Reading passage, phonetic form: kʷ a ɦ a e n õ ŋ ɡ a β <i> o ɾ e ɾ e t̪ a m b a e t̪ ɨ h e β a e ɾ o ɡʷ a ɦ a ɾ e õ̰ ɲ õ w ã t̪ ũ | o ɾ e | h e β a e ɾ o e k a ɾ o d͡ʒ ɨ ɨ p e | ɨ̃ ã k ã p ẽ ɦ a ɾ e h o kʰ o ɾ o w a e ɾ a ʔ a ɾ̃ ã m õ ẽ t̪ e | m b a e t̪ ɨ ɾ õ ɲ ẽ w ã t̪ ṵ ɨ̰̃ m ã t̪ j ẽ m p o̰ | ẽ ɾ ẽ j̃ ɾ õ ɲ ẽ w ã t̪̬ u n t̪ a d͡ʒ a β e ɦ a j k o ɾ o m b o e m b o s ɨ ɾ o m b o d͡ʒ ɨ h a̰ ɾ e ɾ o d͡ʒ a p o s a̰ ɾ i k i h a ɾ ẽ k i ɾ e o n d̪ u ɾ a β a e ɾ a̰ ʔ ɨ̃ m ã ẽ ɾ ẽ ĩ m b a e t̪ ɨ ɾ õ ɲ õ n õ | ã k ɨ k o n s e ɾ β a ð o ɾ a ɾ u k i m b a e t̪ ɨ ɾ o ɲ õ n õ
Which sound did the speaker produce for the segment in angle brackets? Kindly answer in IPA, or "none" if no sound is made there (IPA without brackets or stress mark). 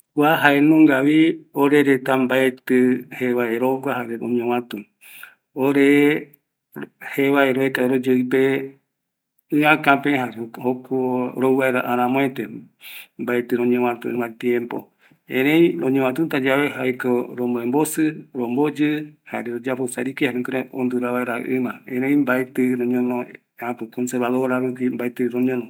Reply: i